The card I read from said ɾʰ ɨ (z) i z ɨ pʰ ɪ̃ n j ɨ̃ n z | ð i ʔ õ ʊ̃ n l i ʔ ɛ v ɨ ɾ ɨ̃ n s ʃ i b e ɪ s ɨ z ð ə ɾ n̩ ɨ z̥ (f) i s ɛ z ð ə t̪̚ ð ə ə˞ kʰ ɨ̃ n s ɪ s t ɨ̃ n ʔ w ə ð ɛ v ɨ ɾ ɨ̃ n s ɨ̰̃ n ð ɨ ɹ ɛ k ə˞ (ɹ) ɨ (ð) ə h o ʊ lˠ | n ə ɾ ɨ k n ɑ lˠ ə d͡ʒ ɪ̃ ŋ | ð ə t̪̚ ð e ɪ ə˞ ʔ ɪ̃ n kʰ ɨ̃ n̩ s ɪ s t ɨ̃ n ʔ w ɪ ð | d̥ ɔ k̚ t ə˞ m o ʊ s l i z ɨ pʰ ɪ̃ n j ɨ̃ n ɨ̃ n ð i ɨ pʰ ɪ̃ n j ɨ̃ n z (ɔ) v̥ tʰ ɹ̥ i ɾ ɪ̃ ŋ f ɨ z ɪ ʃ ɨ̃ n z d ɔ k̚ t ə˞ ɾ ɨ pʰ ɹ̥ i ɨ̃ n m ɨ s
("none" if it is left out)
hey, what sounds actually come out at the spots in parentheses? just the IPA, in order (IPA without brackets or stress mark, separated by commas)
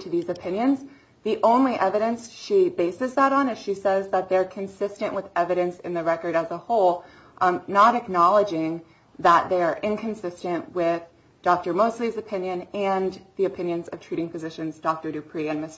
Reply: ð, ʃ, ɾ, z, ʌ